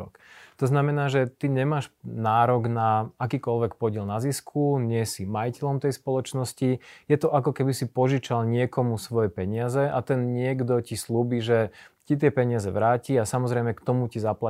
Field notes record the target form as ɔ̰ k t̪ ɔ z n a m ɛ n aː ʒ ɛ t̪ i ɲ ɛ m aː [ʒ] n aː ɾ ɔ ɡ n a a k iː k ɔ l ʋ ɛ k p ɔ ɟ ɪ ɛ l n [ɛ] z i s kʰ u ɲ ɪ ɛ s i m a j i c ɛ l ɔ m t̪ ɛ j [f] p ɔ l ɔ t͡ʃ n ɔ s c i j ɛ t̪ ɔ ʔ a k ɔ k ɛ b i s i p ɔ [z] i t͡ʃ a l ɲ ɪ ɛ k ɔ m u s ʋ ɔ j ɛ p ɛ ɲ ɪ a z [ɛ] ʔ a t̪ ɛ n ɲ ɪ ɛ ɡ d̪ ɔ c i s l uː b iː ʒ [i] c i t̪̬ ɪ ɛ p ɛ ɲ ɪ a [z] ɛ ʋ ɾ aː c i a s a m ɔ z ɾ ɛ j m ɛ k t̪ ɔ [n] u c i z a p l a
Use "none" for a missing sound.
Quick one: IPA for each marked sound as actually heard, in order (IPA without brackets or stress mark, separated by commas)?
ʃ, a, s, ʒ, ɛ, ɛ, z, m